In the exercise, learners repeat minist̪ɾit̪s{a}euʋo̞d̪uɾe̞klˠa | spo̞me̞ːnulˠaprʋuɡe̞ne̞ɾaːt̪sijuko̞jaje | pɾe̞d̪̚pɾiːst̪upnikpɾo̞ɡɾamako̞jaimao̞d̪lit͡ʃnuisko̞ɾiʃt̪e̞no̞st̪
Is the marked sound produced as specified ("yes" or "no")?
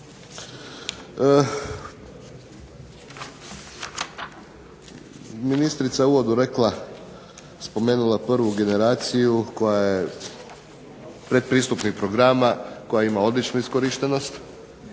yes